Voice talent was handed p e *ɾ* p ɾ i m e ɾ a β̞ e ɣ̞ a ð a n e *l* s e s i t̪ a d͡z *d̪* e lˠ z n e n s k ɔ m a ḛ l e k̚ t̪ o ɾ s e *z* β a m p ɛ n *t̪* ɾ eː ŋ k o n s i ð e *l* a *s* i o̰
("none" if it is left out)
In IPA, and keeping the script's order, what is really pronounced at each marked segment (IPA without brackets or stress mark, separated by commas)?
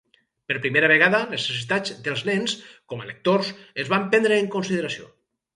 ɾ, none, d̪, z, d̪, ɾ, s